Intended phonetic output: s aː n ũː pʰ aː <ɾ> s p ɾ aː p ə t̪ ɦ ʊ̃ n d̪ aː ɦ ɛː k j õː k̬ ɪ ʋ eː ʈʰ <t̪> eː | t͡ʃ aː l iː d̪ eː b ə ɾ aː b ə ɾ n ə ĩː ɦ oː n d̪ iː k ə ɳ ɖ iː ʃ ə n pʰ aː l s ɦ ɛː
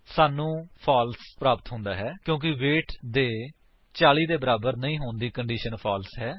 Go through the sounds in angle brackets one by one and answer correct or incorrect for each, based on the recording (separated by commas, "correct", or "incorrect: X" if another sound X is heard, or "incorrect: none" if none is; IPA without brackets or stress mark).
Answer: incorrect: l, incorrect: d̪